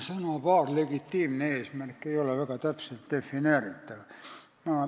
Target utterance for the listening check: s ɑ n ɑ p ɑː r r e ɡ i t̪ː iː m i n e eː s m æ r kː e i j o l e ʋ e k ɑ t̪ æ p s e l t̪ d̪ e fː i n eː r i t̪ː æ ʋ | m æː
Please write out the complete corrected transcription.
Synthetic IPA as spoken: s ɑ n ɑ p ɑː r l e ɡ i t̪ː iː m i n e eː s m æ r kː e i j o l e ʋ æ k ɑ t̪ æ p s e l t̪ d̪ e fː i n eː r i t̪ː æ ʋ | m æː

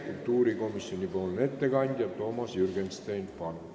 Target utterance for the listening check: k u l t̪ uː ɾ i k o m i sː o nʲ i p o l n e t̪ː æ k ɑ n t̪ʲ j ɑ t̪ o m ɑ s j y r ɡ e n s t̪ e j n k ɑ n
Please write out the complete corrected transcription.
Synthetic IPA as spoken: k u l t̪ uː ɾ i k o m i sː o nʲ i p o l n e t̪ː e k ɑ n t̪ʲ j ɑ t̪ o m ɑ s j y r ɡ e n s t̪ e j n p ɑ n

